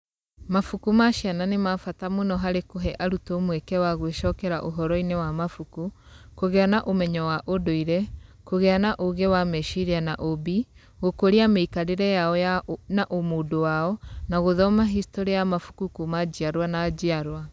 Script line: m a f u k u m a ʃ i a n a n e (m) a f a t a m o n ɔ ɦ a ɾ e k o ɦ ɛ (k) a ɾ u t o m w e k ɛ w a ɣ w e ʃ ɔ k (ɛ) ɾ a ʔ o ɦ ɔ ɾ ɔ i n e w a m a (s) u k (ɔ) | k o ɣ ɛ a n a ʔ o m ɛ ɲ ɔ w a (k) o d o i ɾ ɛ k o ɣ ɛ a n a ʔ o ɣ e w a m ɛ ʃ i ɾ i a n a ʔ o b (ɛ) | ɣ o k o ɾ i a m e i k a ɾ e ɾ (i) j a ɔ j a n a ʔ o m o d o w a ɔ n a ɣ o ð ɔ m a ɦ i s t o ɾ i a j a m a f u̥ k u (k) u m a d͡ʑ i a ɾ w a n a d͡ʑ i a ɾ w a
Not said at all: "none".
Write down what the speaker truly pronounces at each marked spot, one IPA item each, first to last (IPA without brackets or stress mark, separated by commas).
m, ʔ, ɛ, f, u, ʔ, i, ɛ, k